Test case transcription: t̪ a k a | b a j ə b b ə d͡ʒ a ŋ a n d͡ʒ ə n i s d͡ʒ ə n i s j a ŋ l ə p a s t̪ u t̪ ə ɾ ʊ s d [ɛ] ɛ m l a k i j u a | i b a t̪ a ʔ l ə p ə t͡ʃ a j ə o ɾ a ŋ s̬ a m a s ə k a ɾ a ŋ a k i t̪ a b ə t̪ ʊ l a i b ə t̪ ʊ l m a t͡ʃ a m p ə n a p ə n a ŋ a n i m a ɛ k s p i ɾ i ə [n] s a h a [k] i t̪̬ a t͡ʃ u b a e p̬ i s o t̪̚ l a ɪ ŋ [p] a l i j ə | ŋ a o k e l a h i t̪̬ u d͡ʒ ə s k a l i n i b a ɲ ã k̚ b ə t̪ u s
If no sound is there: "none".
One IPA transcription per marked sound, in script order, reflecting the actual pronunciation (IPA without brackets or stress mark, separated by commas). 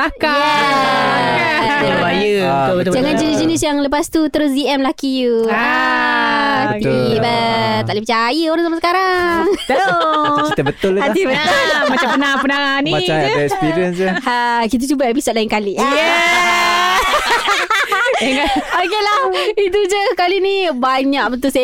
i, n, k, k